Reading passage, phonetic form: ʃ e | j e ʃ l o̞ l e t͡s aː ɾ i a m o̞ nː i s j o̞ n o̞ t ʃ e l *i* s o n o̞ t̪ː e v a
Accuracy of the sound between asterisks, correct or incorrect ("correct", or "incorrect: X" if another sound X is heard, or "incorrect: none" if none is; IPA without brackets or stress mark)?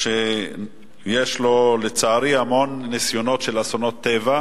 incorrect: a